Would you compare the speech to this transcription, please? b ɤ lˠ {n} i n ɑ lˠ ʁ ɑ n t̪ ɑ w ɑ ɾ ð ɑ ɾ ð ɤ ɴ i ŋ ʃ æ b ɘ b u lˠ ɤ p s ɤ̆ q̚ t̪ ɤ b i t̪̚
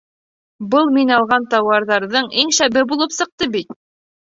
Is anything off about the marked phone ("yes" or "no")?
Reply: yes